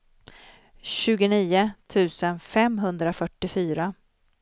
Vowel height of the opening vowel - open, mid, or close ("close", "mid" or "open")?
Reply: close